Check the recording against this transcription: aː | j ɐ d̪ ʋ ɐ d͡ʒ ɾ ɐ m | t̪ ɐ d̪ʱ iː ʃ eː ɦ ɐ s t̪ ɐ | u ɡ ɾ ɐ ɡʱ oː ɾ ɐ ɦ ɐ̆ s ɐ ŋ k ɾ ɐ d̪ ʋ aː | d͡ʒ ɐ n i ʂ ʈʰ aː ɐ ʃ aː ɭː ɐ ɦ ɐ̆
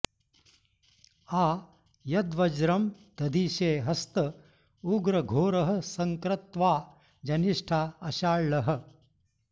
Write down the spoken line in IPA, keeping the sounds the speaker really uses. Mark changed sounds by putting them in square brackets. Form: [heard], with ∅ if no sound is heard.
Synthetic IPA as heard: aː | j ɐ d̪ ʋ ɐ d͡ʒ ɾ ɐ m | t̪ ɐ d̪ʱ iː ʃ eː ɦ ɐ s t̪ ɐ | u ɡ ɾ ɐ ɡʱ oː ɾ ɐ ɦ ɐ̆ s ɐ ŋ k ɾ ɐ [t̪] ʋ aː | d͡ʒ ɐ n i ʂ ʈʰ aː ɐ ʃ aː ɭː ɐ ɦ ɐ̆